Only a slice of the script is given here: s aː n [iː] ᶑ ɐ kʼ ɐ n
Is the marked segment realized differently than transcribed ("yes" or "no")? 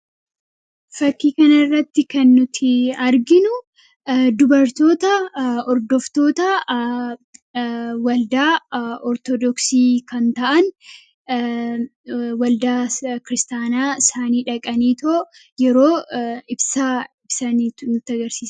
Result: no